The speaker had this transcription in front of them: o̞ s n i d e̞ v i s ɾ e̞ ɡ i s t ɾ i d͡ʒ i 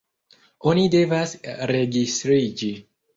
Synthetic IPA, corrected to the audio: o̞ n i d e̞ v a s ɾ e̞ ɡ i s t ɾ i d͡ʒ i